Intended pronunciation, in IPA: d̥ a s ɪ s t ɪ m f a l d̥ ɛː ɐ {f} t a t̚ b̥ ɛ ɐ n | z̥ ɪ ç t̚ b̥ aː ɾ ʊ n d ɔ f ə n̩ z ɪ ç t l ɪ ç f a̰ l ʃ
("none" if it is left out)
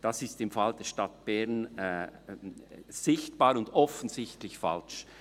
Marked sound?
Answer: ʃ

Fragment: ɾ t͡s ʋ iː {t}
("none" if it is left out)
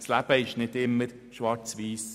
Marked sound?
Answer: s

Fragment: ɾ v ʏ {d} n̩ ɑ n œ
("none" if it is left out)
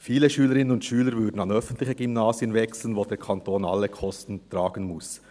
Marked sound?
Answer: d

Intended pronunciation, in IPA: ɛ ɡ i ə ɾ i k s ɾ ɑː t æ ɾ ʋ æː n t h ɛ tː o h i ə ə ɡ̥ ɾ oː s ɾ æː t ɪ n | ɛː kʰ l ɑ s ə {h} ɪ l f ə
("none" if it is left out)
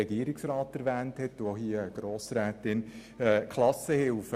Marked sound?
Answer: h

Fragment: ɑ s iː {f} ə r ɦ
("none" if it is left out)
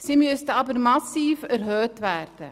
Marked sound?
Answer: f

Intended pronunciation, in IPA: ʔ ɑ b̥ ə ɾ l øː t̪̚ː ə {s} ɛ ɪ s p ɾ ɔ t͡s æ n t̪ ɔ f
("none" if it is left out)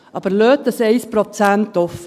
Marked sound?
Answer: s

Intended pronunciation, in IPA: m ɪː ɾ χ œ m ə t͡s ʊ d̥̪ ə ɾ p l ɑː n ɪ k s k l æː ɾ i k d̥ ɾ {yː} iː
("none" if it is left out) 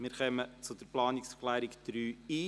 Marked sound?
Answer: yː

